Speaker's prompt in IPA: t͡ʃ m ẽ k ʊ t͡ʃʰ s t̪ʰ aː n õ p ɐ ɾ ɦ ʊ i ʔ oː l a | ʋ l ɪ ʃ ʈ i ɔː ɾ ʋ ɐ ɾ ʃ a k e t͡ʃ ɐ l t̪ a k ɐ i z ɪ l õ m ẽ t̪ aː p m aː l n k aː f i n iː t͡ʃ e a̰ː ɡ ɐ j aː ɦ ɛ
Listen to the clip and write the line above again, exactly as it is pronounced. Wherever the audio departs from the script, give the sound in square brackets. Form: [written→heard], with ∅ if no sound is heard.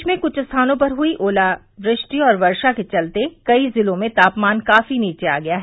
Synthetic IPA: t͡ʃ m ẽ k ʊ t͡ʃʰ s t̪ʰ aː n õ p ɐ ɾ ɦ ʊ i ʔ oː l a | ʋ [l→ɾ] ɪ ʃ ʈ i ɔː ɾ ʋ ɐ ɾ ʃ a k e t͡ʃ ɐ l t̪ [a→e] k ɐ i z ɪ l õ m ẽ t̪ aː p m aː [l→∅] n k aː f i n iː t͡ʃ e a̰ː ɡ ɐ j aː ɦ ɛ